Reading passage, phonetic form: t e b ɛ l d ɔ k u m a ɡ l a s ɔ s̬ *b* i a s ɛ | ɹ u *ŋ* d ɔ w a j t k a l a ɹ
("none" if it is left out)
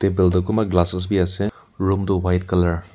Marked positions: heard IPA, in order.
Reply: b, m

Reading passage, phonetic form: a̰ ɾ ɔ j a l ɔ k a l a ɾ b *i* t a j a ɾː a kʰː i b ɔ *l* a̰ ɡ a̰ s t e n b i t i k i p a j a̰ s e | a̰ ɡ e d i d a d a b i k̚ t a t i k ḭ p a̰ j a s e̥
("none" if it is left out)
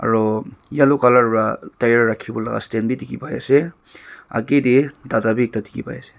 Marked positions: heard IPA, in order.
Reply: a, l

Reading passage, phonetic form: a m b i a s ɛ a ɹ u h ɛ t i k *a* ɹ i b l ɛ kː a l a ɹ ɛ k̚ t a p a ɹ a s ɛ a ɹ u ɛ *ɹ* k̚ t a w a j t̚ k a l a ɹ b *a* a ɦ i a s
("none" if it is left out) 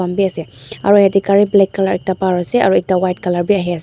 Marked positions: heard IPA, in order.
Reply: a, none, i

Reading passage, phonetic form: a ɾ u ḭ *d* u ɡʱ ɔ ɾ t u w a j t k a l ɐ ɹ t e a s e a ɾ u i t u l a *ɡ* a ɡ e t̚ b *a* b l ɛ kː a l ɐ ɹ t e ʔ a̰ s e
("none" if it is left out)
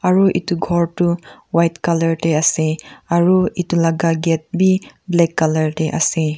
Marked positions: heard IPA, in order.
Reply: t, ɡ, i

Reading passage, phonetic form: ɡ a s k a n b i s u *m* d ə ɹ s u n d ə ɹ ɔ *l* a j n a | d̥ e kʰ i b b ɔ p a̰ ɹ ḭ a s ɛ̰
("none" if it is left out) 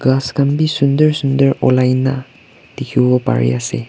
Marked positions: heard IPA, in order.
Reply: n, l

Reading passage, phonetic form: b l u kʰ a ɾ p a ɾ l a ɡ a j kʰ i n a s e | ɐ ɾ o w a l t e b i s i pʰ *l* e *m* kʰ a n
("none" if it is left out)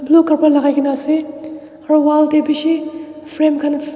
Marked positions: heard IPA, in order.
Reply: ɾ, m

